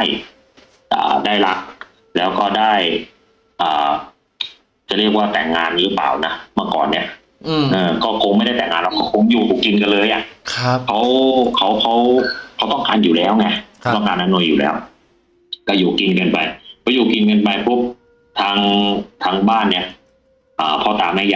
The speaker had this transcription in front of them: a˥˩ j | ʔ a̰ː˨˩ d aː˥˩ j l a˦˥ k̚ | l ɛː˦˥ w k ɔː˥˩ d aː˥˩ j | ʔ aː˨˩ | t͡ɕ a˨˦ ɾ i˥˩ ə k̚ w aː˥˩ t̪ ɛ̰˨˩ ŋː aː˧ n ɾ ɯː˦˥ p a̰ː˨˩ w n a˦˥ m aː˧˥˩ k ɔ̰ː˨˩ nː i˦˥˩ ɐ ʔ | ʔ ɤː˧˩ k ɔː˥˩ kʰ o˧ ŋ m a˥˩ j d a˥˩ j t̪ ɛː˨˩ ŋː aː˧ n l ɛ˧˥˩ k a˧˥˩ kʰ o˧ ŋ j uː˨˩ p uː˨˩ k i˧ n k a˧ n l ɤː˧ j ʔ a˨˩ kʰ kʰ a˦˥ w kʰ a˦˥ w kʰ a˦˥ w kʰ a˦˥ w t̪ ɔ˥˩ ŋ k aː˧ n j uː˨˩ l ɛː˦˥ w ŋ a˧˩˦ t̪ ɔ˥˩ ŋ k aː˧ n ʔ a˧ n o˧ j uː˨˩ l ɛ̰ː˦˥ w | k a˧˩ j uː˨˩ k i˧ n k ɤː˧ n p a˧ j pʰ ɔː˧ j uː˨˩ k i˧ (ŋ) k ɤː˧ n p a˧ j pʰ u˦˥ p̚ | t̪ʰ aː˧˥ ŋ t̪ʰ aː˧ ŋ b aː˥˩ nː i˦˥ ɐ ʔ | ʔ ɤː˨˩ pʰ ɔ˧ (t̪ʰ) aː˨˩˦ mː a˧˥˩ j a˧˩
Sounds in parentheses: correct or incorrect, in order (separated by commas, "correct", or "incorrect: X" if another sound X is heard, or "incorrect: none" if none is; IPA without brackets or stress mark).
incorrect: n, incorrect: t̪